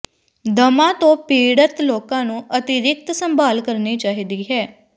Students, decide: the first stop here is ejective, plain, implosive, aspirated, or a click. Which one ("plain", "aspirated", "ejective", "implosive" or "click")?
plain